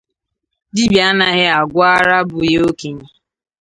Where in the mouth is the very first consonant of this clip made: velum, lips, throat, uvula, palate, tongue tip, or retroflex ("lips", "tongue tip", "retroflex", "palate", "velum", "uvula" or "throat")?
tongue tip